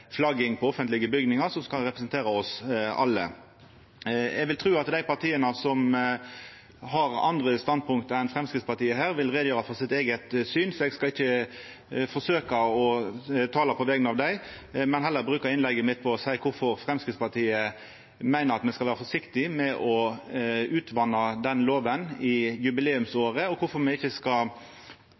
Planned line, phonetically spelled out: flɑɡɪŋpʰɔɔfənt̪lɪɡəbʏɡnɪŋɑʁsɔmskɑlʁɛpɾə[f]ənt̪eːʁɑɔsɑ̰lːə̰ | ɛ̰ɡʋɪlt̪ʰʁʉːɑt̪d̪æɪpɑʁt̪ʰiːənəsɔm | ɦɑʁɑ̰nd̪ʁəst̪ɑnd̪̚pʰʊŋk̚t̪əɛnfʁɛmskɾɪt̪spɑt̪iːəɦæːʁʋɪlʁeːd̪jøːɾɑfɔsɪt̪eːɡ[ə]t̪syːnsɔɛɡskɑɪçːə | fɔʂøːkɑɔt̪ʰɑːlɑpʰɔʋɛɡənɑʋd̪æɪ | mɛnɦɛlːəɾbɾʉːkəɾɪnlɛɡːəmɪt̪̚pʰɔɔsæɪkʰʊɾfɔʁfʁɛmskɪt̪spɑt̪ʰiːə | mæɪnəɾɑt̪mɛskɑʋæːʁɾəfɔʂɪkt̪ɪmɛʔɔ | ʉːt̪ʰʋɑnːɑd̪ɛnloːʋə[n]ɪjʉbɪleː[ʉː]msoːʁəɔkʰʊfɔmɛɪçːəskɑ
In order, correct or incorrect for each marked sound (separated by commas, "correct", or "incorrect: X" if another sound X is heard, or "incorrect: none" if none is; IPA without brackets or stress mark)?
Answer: incorrect: s, correct, correct, incorrect: ʉ